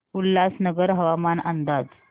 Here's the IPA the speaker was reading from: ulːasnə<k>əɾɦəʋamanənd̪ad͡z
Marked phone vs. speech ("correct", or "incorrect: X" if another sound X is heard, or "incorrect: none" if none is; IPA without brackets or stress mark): incorrect: ɡ